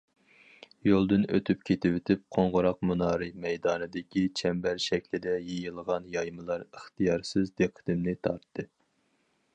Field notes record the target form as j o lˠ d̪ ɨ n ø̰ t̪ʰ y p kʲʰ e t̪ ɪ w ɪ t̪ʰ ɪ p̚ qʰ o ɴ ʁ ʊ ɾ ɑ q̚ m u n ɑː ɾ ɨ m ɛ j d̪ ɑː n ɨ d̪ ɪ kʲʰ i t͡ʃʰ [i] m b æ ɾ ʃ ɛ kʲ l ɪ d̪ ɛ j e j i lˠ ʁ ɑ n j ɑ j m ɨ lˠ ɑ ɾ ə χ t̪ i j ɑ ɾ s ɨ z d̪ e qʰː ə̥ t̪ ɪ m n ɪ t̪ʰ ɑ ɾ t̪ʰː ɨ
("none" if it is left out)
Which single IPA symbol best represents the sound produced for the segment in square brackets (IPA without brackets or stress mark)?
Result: ɛ